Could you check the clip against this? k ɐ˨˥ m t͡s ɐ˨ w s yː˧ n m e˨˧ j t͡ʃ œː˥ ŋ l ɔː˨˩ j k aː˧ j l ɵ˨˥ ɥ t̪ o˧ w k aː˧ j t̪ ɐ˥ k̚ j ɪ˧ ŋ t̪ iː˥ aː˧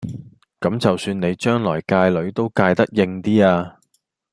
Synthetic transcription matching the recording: k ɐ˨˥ m t͡s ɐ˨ w s yː˧ n n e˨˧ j t͡ʃ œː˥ ŋ l ɔː˨˩ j k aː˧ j l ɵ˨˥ ɥ t̪ o˥ w k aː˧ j t̪ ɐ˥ k̚ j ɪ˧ ŋ t̪ iː˥ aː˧

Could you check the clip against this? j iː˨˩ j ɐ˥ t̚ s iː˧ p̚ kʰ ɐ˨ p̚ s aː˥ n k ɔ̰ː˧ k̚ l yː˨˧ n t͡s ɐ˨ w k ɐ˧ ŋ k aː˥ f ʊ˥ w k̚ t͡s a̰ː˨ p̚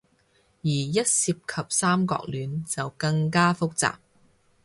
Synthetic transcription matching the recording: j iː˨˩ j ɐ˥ t̚ s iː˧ p̚ kʰ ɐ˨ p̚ s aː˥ m k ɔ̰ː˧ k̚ l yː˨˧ n t͡s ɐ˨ w k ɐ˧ ŋ k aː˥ f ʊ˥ k̚ t͡s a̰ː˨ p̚

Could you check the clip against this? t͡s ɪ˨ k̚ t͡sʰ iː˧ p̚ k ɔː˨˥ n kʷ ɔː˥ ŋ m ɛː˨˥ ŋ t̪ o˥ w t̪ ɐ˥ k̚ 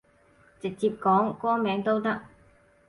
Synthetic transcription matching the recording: t͡s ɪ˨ k̚ t͡s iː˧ p̚ k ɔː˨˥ ŋ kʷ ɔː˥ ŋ m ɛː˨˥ ŋ t̪ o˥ w t̪ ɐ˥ k̚

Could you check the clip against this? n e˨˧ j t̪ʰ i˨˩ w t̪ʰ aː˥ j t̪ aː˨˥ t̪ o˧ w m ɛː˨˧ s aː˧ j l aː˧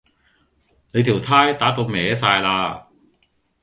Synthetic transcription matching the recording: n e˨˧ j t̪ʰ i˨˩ w t̪ʰ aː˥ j t̪ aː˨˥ t̪ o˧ w m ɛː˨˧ s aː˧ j l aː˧

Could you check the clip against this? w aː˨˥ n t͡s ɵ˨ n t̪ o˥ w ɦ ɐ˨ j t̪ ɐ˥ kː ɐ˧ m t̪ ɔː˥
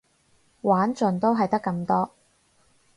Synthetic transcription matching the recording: w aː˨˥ n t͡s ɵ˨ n t̪ o˥ w ɦ ɐ˨ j t̪ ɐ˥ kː ɐ˧ m t̪ ɔː˥

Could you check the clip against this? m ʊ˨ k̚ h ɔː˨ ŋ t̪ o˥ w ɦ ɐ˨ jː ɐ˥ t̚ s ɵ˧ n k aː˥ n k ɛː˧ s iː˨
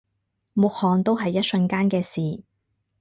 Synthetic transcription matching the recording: m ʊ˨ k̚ h ɔː˨ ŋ t̪ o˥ w ɦ ɐ˨ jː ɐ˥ t̚ s ɵ˧ n k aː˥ n k ɛː˧ s iː˨

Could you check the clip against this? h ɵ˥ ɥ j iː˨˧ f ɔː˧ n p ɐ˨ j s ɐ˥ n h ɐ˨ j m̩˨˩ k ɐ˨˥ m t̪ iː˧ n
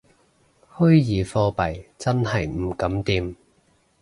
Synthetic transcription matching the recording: h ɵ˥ ɥ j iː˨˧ f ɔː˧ p ɐ˨ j t͡s ɐ˥ n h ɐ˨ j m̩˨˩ k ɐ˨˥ m t̪ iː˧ m

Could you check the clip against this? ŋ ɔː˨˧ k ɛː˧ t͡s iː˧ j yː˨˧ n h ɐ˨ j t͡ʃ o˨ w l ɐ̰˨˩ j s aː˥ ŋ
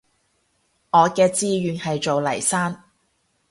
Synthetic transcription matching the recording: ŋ ɔː˨˧ k ɛː˧ t͡s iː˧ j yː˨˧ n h ɐ˨ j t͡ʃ o˨ w l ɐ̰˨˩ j s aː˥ n

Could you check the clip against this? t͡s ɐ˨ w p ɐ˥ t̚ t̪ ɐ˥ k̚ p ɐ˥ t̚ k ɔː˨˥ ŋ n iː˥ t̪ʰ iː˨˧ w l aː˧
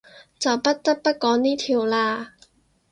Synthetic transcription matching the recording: t͡s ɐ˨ w p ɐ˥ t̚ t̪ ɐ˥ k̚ p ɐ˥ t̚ k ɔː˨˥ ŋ n iː˥ t̪ʰ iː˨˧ w l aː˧

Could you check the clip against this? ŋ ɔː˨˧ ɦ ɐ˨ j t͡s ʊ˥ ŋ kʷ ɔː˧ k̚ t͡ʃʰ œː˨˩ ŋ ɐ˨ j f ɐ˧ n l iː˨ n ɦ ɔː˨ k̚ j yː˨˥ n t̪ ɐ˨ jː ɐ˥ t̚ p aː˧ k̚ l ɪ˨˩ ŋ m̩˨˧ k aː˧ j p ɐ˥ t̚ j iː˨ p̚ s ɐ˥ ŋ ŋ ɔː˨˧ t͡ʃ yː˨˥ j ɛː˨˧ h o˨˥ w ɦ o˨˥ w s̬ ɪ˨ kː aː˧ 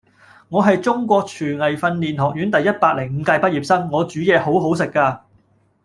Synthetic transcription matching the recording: ŋ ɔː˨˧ ɦ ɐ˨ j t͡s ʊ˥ ŋ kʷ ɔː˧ k̚ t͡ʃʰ yː˨˩ ŋ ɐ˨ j f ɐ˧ n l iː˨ n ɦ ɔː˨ k̚ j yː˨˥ n t̪ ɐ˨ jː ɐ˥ t̚ p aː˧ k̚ l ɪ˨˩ ŋ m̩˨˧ k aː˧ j p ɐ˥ t̚ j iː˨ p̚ s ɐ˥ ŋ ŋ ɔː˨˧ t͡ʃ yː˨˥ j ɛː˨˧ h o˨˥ w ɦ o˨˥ w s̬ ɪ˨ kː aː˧

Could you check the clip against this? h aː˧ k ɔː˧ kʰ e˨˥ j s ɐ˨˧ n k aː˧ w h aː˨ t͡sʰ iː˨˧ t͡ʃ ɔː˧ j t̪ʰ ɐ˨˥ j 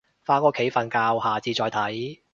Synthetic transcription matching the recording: f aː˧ k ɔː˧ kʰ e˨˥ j f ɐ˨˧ n k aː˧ w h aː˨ t͡s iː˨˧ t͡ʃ ɔː˧ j t̪ʰ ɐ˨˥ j

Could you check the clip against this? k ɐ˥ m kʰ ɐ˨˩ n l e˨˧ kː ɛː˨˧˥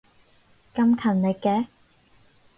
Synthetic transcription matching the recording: k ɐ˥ m kʰ ɐ˨˩ n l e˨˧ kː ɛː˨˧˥

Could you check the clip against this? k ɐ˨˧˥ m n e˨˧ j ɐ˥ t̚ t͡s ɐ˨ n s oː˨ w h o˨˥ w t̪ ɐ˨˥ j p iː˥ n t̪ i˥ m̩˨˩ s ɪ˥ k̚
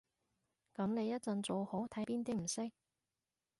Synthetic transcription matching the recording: k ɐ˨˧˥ m n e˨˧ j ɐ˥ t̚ t͡s ɐ˨ n t͡s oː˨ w h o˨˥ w t̪ʰ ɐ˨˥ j p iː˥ n t̪ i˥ m̩˨˩ s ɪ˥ k̚

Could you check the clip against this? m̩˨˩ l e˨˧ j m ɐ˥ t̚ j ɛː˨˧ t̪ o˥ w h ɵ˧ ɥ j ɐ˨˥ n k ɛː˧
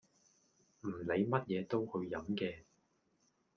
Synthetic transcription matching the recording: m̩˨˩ l e˨˧ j m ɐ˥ t̚ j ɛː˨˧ t̪ o˥ w h ɵ˧ ɥ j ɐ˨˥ m k ɛː˧

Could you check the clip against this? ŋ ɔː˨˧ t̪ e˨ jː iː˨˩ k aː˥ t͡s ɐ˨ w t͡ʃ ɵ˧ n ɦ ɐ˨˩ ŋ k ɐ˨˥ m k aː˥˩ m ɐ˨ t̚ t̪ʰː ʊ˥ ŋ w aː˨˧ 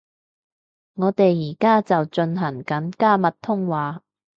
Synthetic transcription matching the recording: ŋ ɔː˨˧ t̪ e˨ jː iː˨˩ k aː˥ t͡s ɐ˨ w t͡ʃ ɵ˧ n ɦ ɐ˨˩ ŋ k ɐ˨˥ n k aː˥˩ m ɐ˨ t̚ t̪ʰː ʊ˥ ŋ w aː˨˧

